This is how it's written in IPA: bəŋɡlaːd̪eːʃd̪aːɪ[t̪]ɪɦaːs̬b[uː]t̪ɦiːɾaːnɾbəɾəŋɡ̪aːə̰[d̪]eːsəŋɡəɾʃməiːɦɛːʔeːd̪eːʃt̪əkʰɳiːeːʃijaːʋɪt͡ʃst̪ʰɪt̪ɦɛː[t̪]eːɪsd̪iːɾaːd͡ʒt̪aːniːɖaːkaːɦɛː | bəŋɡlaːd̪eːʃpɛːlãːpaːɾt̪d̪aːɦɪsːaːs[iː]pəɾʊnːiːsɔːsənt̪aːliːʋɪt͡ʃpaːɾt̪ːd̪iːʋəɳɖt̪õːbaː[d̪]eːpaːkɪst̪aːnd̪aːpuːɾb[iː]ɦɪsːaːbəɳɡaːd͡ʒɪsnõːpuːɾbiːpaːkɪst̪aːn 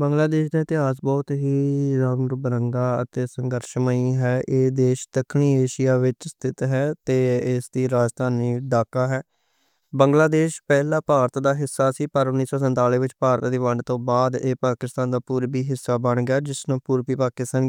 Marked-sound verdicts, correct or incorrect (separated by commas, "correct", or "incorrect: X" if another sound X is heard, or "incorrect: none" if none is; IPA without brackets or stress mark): correct, incorrect: ɔː, incorrect: t̪, correct, correct, correct, correct